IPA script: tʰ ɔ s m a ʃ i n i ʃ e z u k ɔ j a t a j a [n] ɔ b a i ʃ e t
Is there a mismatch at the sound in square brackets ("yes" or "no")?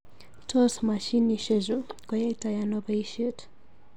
no